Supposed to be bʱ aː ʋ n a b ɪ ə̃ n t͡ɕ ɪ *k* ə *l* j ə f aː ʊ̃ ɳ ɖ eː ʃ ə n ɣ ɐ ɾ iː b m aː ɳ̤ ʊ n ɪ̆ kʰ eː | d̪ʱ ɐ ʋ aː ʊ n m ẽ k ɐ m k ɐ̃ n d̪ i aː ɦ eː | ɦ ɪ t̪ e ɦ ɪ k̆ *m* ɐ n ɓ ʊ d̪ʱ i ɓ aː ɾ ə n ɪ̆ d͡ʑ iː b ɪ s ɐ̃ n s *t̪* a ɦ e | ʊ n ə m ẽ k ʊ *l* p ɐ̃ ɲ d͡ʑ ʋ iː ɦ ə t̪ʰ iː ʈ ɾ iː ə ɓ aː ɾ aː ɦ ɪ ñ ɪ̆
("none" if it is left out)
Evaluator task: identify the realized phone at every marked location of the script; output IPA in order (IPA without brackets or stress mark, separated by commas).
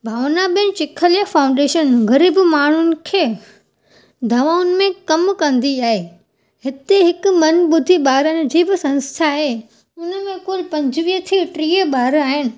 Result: kʰ, l, m, t̪ʰ, l